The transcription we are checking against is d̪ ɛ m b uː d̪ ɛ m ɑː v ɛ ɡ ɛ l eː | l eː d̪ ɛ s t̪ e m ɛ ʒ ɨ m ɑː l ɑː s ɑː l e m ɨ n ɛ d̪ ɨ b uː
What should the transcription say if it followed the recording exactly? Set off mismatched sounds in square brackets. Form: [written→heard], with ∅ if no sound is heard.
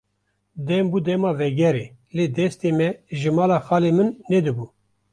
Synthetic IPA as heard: d̪ ɛ m b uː d̪ ɛ m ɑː v ɛ ɡ ɛ [l→ɾ] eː | l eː d̪ ɛ s t̪ e m ɛ ʒ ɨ m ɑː l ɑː [s→x] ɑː l e m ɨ [n→nː] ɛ d̪ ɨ b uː